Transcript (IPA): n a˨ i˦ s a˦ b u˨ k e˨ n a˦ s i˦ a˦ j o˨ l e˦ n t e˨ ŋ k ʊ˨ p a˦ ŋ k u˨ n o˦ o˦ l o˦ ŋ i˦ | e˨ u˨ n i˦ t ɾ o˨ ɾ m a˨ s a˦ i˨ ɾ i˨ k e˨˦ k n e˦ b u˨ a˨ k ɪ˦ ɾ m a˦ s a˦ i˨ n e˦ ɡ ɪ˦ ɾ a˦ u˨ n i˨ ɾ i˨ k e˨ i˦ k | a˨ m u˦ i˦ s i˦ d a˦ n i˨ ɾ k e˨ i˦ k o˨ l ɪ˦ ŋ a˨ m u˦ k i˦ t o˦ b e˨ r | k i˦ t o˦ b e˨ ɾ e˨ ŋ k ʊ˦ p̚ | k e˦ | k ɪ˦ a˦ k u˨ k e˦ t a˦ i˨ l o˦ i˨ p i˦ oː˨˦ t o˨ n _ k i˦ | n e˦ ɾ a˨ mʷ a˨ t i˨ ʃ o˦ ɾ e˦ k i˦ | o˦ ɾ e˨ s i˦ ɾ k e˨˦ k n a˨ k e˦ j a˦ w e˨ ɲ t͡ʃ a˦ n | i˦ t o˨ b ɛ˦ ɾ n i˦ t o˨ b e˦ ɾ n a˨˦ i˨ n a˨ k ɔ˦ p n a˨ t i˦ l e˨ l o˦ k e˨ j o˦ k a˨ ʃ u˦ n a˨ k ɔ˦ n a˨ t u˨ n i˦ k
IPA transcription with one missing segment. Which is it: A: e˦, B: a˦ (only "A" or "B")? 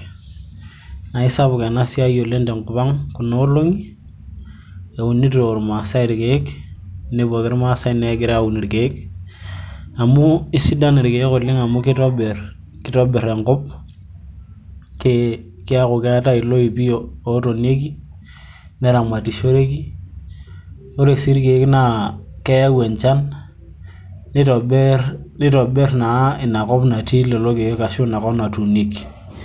A